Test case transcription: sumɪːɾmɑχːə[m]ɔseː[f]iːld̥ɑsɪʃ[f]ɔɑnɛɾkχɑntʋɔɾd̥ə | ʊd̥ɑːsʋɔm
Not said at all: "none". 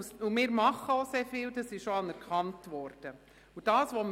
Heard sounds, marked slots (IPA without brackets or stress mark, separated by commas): none, f, ʃ